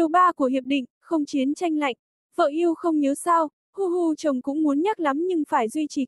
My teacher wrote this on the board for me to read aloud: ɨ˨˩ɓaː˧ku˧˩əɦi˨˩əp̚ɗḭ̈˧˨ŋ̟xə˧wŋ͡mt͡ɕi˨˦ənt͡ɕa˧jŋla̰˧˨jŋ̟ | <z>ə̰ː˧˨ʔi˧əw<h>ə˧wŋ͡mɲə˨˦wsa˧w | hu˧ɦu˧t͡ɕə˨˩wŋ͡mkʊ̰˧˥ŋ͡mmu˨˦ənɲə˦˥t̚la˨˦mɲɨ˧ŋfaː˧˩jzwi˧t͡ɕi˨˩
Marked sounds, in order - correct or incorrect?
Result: incorrect: v, incorrect: x

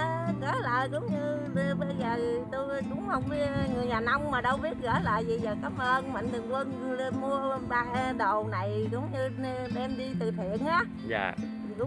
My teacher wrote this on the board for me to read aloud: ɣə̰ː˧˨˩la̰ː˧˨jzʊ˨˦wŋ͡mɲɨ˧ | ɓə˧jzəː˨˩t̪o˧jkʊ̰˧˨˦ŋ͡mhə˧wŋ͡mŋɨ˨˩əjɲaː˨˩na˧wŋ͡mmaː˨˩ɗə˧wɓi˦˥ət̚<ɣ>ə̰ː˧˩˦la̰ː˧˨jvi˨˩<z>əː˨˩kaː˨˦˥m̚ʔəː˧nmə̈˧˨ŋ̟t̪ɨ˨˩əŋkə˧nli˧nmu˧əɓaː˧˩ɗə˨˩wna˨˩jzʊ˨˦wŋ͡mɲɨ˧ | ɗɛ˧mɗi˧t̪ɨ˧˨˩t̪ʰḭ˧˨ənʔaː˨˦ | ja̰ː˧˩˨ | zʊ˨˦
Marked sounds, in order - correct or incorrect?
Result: correct, correct

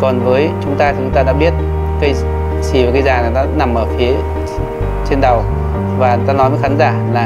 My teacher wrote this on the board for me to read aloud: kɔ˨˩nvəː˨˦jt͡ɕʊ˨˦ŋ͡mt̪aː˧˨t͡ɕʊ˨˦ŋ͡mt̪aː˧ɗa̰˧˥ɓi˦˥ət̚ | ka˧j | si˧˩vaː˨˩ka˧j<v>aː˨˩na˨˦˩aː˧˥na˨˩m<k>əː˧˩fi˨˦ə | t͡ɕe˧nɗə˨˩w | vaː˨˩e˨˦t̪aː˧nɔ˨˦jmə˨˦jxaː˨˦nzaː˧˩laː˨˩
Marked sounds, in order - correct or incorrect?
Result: incorrect: z, incorrect: ʔ

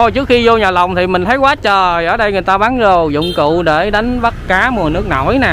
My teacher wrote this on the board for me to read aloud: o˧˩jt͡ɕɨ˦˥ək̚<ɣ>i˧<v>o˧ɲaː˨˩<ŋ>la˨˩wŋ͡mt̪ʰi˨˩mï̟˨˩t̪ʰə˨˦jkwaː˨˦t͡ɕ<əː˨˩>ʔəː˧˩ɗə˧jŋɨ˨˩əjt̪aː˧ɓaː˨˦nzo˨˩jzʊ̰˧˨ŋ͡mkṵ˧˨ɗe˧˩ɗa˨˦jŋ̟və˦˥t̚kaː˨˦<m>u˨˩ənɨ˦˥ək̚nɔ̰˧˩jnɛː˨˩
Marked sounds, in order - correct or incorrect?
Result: incorrect: x, incorrect: z, incorrect: none, correct, correct

